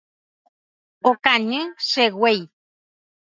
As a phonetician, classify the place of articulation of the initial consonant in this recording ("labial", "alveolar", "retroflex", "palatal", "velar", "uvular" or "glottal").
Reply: velar